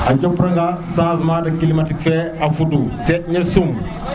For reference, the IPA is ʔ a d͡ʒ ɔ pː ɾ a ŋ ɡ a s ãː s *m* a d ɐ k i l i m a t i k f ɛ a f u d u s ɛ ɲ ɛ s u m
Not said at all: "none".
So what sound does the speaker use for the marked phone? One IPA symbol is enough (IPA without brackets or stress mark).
m